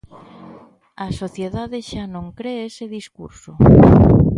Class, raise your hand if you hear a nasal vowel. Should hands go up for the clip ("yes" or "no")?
yes